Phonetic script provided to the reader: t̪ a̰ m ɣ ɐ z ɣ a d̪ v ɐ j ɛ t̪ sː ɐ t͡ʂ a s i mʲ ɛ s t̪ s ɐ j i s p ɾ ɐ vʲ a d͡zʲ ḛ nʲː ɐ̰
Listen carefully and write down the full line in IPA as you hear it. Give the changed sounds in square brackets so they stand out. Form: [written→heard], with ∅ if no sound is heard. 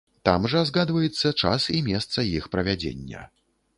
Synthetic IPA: t̪ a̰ m [ɣ→ʐ] ɐ z ɣ a d̪ v ɐ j ɛ t̪ sː ɐ t͡ʂ a s i mʲ ɛ s t̪ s ɐ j i [s→x] p ɾ ɐ vʲ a d͡zʲ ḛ nʲː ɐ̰